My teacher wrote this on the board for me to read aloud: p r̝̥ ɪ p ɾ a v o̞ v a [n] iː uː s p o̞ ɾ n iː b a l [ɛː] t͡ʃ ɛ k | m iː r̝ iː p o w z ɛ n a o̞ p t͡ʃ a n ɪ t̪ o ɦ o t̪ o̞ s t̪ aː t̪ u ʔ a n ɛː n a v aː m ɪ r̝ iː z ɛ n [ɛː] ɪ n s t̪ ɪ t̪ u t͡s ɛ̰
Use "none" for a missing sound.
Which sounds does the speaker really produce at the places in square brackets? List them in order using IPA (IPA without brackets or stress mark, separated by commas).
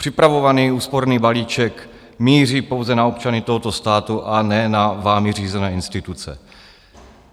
n, iː, ɛː